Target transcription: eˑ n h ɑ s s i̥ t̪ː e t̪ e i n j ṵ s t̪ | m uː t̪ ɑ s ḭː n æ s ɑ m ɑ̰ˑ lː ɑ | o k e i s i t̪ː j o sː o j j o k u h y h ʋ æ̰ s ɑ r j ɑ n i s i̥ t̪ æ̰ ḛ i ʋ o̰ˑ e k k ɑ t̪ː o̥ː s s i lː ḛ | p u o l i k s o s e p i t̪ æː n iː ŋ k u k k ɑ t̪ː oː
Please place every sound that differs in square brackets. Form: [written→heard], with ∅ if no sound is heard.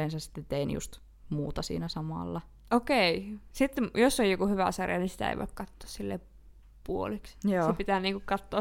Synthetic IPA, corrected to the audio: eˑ n [h→s] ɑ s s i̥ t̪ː e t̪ e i n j ṵ s t̪ | m uː t̪ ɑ s ḭː n æ s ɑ m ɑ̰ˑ lː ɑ | o k e i s i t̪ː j o sː o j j o k u h y [h→∅] ʋ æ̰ s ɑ r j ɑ n i s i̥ t̪ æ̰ ḛ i ʋ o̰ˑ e k k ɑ t̪ː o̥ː s s i lː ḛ | p u o l i k s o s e p i t̪ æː n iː ŋ k u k k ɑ t̪ː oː